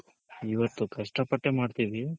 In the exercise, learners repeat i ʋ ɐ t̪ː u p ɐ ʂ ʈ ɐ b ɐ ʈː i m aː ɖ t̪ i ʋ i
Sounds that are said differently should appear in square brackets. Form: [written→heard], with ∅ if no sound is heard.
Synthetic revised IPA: i ʋ ɐ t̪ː u [p→k] ɐ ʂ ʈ ɐ [b→p] ɐ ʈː [i→e] m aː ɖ t̪ i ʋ i